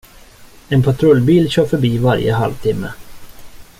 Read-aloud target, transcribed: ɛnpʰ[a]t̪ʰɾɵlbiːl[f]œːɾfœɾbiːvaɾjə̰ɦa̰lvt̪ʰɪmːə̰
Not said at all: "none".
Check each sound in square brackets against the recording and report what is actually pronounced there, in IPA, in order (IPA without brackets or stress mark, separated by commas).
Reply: a, ɕ